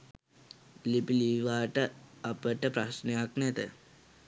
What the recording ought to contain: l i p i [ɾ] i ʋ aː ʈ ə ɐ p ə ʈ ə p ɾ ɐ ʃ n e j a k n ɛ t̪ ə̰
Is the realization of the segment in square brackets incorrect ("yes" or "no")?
yes